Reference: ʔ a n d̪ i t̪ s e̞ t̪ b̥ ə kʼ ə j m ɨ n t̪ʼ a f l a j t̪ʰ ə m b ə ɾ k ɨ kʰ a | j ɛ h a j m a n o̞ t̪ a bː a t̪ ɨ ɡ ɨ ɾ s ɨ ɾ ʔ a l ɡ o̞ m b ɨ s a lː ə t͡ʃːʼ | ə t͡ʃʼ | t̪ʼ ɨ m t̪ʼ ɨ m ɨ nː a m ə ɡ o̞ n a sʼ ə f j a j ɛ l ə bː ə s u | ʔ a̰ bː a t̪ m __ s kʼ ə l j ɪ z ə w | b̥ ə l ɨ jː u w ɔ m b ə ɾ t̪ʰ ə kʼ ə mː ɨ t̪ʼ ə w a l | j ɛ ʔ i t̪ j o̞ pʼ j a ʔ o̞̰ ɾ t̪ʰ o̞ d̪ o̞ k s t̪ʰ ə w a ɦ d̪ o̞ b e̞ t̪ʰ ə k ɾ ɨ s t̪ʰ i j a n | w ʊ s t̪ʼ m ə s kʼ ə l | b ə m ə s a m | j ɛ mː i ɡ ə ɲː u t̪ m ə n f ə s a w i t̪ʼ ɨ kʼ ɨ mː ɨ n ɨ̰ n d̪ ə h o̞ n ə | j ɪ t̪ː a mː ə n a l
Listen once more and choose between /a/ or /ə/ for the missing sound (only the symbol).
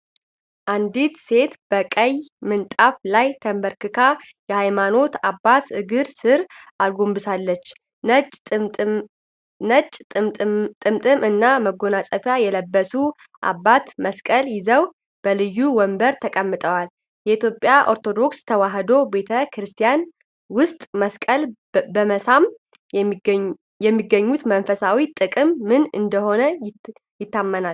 ə